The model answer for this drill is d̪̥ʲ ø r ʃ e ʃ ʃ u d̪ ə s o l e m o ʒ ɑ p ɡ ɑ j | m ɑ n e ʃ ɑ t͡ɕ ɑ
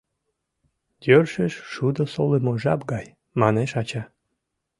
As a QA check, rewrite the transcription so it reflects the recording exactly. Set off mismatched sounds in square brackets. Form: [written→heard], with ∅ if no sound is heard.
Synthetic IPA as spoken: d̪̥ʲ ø r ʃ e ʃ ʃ u d̪ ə s o l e m o ʒ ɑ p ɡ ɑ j | m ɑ n e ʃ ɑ t͡ɕ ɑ